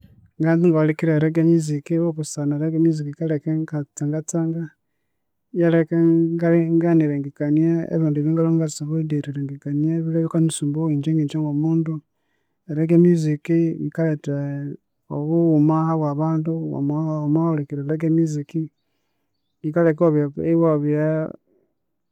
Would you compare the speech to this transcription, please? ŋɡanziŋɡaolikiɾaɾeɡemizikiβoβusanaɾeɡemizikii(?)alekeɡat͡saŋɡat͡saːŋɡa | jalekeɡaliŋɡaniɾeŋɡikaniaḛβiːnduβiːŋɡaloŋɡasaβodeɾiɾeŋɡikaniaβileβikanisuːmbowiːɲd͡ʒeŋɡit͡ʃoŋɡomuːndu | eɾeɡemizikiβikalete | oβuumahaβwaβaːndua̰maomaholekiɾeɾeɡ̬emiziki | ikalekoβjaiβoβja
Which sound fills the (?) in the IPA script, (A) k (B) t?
A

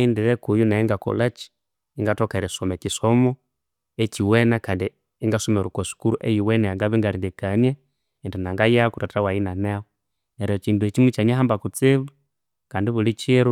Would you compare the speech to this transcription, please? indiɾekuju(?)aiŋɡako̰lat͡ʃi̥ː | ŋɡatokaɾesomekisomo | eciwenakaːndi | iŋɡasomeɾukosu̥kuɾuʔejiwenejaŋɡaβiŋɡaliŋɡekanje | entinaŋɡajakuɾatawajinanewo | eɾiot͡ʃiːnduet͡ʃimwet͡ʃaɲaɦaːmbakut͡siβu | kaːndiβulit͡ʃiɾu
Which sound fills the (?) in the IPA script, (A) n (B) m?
A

